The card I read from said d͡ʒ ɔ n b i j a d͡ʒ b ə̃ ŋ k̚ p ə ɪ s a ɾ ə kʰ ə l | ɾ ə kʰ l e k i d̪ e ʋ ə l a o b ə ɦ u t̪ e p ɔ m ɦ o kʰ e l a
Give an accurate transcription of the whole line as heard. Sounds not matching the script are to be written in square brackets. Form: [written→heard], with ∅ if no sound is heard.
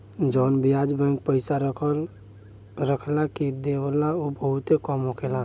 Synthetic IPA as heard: d͡ʒ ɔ n b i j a d͡ʒ b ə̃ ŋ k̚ p ə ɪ s a ɾ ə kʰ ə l | ɾ ə kʰ l [e→a] k i d̪ e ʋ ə l a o b ə ɦ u t̪ e [p→k] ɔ m ɦ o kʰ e l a

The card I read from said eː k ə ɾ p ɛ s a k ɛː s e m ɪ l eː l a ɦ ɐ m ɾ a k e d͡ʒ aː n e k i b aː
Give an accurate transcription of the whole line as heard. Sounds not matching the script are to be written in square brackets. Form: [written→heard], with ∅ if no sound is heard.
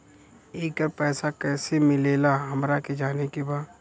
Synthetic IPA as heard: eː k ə ɾ p [ɛ→ɛː] s a k ɛː s e m ɪ l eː l a ɦ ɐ m ɾ a k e d͡ʒ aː n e k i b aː

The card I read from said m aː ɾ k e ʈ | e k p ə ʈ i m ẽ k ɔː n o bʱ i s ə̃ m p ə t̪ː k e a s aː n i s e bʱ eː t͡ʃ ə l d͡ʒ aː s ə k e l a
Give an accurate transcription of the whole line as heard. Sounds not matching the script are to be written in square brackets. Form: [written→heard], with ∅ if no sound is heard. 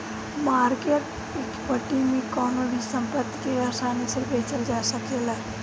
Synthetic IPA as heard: m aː ɾ k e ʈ | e k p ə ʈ i m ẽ k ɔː n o bʱ i s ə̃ m p ə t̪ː k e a s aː n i s e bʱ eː t͡ʃ ə l d͡ʒ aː s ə k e l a

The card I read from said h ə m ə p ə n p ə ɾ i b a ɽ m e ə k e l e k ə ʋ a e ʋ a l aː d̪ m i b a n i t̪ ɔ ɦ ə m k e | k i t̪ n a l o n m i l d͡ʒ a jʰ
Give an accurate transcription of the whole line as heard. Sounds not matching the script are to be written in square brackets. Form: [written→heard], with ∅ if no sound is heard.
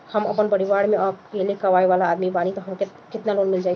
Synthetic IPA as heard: h ə m ə p ə n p ə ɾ i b a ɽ m e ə k e l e k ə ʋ a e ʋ a l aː d̪ m i b a n i t̪ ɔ ɦ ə m k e | k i t̪ n a l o n m i l d͡ʒ a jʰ

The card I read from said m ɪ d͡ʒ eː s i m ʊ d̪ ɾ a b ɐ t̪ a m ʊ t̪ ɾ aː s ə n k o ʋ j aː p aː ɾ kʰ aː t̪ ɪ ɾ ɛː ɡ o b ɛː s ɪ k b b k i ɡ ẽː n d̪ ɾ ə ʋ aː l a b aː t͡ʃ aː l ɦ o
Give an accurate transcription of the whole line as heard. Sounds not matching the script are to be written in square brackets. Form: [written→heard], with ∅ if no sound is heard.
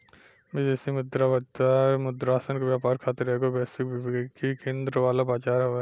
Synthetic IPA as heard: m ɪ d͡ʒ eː s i m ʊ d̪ ɾ a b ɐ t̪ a m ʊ [t̪→d̪] ɾ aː s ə n k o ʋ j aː p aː ɾ kʰ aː t̪ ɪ ɾ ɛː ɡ o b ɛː s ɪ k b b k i [ɡ→k] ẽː n d̪ ɾ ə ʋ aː l a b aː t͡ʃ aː [l→ɾ] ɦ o

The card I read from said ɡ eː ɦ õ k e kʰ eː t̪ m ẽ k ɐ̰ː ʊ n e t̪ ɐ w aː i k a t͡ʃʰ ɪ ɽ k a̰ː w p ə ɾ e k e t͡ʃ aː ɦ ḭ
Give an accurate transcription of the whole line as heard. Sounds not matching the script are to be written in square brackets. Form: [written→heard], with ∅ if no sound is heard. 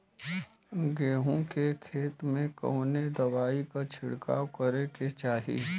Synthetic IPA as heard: ɡ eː ɦ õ k e kʰ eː t̪ m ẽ k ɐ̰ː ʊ n e [t̪→d̪] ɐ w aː i k a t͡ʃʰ ɪ ɽ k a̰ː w [p→k] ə ɾ e k e t͡ʃ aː ɦ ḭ

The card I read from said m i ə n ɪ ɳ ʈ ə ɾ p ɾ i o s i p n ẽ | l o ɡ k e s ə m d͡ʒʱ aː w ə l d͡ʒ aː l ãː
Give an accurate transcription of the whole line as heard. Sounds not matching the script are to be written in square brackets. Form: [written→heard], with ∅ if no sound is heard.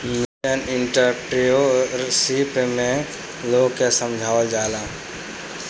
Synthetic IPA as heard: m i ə n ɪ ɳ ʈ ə ɾ p ɾ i o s i p [n→m] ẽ | l o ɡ k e s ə m d͡ʒʱ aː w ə l d͡ʒ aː l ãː

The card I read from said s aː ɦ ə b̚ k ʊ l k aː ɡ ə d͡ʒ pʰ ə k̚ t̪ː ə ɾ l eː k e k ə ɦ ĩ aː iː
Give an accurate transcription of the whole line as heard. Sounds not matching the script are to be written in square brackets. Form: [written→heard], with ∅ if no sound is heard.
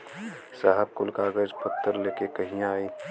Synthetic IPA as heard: s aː ɦ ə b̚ k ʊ l k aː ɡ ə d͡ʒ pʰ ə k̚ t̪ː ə ɾ l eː k e k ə ɦ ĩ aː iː

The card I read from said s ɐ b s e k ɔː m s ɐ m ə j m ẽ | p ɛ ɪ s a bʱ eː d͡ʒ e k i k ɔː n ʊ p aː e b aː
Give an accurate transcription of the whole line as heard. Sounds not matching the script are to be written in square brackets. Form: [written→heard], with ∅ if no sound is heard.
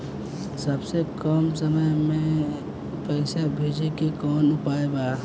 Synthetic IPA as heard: s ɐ b s e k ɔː m s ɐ m ə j m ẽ | p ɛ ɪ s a bʱ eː d͡ʒ e k i k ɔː n ʊ p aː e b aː

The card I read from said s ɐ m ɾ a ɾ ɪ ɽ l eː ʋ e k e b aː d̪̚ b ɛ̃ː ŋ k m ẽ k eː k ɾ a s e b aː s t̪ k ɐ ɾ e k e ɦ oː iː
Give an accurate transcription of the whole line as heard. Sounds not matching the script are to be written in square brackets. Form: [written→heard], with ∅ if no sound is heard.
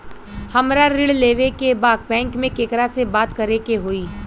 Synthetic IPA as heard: [s→h] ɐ m ɾ a ɾ ɪ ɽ l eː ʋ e k e b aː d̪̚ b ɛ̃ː ŋ k m ẽ k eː k ɾ a s e b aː [s→∅] t̪ k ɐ ɾ e k e ɦ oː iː

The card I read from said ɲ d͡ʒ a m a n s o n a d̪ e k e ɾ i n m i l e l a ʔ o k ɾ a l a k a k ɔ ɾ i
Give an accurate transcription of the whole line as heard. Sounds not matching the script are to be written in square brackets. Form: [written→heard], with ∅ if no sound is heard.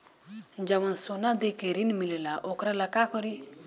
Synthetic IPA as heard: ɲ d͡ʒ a m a n s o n a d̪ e k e ɾ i n m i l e l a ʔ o k ɾ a l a k a k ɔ ɾ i

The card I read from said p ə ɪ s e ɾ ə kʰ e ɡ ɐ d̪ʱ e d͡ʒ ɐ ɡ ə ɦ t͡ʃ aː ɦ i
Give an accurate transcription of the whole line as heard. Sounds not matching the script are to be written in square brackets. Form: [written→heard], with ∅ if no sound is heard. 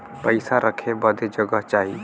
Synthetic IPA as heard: p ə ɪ s [e→a] ɾ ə kʰ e [ɡ→b] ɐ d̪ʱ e d͡ʒ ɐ ɡ ə ɦ t͡ʃ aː ɦ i

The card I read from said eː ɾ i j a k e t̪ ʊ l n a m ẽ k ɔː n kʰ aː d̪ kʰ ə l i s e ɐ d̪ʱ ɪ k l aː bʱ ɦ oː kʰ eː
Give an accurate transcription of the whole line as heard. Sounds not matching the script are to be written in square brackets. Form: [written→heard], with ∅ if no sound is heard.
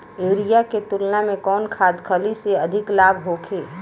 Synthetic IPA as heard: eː ɾ i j a k e t̪ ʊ l n a m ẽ k ɔː n kʰ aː d̪ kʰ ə l i s e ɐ d̪ʱ ɪ k l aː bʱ ɦ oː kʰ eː

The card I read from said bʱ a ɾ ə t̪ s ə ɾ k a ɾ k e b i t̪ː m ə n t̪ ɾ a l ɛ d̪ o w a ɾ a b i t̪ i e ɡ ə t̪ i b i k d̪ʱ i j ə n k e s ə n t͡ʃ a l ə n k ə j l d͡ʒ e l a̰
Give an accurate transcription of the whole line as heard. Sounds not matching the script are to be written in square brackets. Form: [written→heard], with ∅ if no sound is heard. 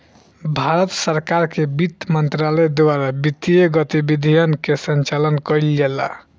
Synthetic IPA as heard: bʱ a ɾ ə t̪ s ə ɾ k a ɾ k e b i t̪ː m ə n t̪ ɾ a l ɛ d̪ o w a ɾ a b i t̪ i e ɡ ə t̪ i b i [k→∅] d̪ʱ i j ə n k e s ə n t͡ʃ a l ə n k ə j l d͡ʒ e l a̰

